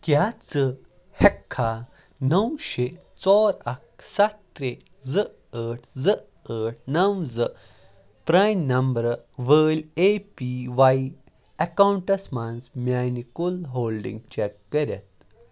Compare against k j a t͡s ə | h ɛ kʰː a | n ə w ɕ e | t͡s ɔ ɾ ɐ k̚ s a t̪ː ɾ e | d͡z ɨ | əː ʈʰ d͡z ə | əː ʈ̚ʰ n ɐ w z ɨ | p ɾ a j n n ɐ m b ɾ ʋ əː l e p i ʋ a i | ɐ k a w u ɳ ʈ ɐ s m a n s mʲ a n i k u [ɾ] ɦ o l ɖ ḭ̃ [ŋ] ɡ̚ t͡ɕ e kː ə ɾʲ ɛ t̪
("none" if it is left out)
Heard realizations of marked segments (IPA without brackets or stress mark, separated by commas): l, ŋ